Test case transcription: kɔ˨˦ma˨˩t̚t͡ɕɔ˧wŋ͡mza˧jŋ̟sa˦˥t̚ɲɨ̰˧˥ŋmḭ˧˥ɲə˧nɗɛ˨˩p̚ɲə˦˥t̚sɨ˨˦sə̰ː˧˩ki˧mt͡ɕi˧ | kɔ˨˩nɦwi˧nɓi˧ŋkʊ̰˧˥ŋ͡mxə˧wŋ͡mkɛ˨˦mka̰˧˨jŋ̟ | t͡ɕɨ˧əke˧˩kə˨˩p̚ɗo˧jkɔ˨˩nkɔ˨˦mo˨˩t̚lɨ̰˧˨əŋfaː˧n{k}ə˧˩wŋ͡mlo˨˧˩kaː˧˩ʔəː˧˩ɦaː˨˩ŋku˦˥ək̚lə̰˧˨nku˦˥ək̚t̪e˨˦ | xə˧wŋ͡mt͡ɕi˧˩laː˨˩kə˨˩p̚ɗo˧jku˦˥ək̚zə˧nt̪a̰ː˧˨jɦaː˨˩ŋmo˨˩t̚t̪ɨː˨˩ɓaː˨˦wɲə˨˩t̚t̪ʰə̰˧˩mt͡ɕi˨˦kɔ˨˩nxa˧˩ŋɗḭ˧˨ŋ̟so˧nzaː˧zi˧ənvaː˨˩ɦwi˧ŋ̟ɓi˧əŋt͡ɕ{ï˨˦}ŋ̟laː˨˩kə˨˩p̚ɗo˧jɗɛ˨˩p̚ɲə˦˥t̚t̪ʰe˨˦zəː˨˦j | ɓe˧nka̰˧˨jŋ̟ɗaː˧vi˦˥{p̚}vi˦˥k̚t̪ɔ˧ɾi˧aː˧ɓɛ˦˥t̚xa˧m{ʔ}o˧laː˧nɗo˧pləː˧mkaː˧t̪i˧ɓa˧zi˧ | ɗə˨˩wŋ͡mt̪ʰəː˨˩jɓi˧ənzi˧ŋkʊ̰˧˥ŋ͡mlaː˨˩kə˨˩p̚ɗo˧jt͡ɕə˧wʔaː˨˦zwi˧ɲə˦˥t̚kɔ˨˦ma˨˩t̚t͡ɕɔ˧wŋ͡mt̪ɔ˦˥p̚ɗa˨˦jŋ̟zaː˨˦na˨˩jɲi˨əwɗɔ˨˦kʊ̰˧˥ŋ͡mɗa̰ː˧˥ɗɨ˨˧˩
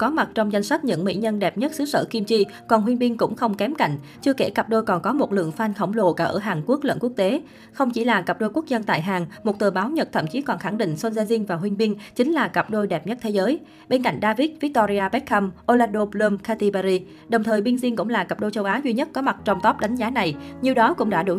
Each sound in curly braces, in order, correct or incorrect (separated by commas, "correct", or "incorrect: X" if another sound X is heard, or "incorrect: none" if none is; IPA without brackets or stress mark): incorrect: x, correct, incorrect: t̚, correct